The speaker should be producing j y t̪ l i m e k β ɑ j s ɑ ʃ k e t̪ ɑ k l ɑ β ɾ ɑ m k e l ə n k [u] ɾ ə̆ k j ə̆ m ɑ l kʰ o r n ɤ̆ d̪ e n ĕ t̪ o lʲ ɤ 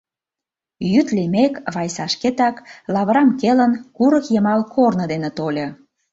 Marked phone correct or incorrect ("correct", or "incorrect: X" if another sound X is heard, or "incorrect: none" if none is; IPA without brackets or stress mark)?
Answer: correct